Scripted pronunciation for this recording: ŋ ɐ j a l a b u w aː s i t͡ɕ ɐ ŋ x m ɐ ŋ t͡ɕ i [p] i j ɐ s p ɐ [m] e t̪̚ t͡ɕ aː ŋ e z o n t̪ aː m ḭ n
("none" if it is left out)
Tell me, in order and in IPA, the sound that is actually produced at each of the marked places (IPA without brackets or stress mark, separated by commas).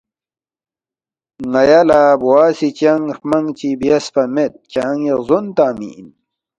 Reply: b, m